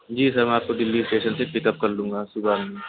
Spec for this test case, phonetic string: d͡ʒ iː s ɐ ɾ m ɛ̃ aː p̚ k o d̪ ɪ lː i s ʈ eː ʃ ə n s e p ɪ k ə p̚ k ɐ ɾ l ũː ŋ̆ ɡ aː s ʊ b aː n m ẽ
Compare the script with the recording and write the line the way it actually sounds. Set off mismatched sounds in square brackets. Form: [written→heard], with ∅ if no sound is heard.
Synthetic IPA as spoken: d͡ʒ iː s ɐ ɾ m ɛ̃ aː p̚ k o d̪ ɪ lː i s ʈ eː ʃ ə n s e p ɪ k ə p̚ k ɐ ɾ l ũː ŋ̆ ɡ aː s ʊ b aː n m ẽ